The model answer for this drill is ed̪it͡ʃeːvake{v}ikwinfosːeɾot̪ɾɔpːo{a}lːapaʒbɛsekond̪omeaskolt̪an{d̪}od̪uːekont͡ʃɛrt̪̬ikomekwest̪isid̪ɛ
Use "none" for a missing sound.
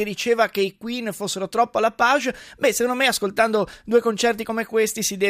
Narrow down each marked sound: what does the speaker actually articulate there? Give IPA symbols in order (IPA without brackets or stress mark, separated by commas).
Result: none, a, d̪